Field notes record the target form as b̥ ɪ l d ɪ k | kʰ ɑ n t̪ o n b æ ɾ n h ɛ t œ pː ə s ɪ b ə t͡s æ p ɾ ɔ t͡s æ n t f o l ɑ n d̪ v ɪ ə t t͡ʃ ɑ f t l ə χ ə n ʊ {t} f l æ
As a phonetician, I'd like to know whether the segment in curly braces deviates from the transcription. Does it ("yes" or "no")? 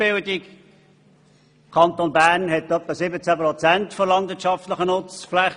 yes